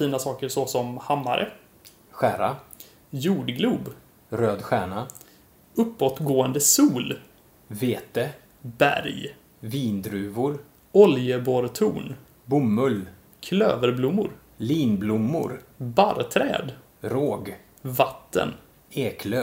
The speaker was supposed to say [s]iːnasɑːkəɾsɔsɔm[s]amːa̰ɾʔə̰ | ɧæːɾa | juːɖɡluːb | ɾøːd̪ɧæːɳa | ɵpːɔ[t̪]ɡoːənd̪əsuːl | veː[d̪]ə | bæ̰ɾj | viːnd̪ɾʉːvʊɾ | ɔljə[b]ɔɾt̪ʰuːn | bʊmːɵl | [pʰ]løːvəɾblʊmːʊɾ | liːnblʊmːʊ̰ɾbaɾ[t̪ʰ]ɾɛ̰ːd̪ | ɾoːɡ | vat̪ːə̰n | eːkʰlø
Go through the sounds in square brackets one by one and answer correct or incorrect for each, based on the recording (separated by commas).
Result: incorrect, incorrect, correct, incorrect, correct, incorrect, correct